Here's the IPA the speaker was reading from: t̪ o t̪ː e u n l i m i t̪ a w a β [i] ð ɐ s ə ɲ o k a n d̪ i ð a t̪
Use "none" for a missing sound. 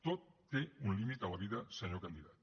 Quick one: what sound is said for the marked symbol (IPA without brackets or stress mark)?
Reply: i